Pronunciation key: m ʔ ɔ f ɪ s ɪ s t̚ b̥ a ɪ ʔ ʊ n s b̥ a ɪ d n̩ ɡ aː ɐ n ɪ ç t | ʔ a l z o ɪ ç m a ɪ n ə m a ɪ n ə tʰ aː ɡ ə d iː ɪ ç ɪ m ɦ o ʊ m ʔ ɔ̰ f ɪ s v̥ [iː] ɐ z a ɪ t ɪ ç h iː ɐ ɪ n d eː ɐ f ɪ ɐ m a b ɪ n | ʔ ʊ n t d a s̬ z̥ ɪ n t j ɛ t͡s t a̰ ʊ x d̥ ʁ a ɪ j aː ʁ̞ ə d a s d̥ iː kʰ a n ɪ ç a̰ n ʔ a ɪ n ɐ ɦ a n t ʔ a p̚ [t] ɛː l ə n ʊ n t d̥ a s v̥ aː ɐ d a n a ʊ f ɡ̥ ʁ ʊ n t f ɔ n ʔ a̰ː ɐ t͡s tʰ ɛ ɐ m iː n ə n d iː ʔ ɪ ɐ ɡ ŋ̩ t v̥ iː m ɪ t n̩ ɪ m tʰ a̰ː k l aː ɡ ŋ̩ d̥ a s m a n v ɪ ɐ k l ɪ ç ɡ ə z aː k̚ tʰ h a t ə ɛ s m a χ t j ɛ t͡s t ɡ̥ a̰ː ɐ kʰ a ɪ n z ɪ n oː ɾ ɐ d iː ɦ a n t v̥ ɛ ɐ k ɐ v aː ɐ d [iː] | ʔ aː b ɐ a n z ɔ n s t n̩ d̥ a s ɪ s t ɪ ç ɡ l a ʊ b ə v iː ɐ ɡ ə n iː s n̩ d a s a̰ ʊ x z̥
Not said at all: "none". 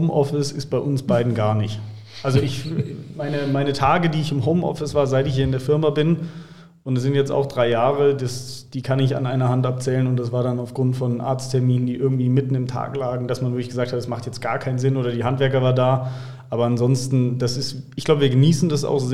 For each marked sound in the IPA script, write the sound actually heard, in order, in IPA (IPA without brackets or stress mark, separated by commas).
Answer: aː, t͡s, aː